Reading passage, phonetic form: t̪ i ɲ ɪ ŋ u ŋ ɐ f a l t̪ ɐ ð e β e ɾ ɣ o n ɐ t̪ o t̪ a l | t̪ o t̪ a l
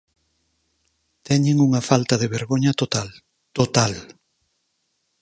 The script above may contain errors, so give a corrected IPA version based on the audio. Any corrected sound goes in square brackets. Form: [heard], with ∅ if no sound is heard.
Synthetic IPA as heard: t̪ [ɛ] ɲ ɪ ŋ u ŋ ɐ f a l t̪ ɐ ð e β e ɾ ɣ o [ɲ] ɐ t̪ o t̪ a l | t̪ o t̪ a l

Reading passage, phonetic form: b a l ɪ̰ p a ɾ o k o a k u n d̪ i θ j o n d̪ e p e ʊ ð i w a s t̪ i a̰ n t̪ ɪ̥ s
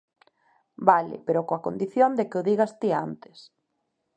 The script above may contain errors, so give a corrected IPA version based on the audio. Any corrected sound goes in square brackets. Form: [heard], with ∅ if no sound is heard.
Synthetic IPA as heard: b a l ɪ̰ p [e] ɾ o k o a k [o] n d̪ i θ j o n d̪ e [k] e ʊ ð i [ɣ] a s t̪ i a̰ n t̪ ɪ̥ s

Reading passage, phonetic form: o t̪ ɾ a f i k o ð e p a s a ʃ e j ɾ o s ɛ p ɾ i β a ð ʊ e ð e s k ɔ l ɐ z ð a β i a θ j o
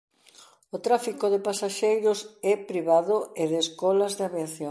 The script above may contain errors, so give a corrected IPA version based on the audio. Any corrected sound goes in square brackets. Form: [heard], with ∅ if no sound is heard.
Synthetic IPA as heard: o t̪ ɾ a f i k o ð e p a s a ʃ e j ɾ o s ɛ p ɾ i β a ð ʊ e ð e s k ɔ l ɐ z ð a β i a θ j o

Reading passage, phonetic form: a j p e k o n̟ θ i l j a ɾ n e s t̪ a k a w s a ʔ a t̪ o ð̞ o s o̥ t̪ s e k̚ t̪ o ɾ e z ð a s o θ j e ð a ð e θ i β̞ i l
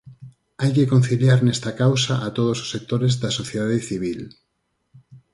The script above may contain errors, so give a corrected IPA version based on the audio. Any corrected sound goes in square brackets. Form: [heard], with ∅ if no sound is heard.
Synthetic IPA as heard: a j [k] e k o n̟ θ i l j a ɾ n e s t̪ a k a w s a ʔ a t̪ o ð̞ o s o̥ [∅] s e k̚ t̪ o ɾ e z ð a s o θ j e ð a ð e θ i β̞ i l

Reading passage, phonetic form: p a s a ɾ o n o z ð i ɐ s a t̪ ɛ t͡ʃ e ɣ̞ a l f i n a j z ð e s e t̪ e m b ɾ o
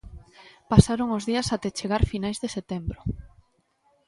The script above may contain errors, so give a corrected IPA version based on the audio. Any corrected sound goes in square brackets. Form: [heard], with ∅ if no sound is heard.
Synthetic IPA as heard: p a s a ɾ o [ŋ] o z ð i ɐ s a t̪ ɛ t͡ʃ e ɣ̞ a [ɾ] f i n a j z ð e s e t̪ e m b ɾ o

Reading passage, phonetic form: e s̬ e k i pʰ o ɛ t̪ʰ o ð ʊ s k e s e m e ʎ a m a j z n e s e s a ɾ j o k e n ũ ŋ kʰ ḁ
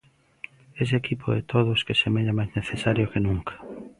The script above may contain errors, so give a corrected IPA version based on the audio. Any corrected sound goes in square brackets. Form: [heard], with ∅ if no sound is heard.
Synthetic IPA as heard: e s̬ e k i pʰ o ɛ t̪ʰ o ð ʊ s k e s e m e ʎ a m a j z n e [θ] e s a ɾ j o k e n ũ ŋ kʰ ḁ

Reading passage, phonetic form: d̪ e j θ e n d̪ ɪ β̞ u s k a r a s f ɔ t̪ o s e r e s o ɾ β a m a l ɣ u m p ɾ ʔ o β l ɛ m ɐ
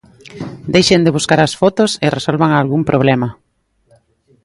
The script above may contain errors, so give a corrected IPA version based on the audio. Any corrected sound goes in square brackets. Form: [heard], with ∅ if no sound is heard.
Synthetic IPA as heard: d̪ e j [ʃ] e n d̪ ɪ β̞ u s k a [ɾ] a s f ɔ t̪ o s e r e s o [l] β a [ŋ] a l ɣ u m p ɾ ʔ o β l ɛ m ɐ

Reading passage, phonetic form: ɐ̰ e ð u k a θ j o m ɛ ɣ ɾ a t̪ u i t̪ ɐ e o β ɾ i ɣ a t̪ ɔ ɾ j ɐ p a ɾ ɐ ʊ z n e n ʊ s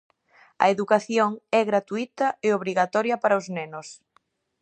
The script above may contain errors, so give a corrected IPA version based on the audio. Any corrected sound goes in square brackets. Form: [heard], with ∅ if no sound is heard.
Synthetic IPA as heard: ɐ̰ e ð u k a θ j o [ŋ] ɛ ɣ ɾ a t̪ u i t̪ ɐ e o β ɾ i ɣ a t̪ ɔ ɾ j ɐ p a ɾ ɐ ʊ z n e n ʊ s

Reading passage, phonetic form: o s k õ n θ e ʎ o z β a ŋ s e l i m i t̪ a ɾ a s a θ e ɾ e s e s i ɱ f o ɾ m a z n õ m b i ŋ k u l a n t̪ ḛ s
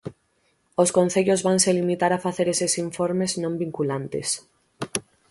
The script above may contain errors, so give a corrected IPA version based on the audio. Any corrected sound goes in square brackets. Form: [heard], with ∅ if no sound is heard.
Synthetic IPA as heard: o s k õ n θ e ʎ o z β a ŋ s e l i m i t̪ a ɾ a [f] a θ e ɾ e s e s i ɱ f o ɾ m [e] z n õ m b i ŋ k u l a n t̪ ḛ s

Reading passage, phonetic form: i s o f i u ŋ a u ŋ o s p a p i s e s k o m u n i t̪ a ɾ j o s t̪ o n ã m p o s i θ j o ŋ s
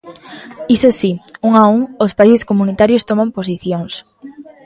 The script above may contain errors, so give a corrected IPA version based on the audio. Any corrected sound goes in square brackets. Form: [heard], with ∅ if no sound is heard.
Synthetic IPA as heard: i s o [s] i u ŋ a u ŋ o s p a [∅] i s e s k o m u n i t̪ a ɾ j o s t̪ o [m] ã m p o s i θ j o ŋ s

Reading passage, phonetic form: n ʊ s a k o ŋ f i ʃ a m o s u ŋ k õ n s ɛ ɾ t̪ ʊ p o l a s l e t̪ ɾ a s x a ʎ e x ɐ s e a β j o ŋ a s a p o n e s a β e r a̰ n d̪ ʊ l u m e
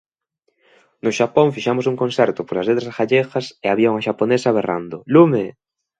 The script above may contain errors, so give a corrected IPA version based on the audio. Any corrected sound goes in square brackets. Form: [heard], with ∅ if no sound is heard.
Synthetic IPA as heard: n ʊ [ʃ] a [p] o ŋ f i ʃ a m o s u ŋ k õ n s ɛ ɾ t̪ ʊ p o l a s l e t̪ ɾ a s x a ʎ e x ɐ s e a β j o ŋ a [ʃ] a p o n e s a β e r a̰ n d̪ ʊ l u m e

